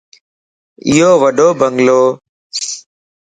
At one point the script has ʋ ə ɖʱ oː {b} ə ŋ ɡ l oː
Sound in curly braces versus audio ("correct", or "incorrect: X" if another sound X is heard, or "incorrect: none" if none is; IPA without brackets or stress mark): correct